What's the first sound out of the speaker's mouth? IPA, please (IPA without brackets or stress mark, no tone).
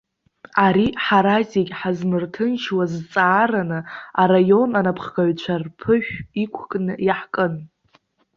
a